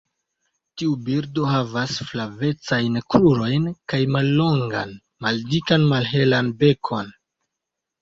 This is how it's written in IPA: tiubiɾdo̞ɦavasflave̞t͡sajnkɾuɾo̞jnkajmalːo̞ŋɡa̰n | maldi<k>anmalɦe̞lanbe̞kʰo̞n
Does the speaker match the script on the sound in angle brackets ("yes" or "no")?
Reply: yes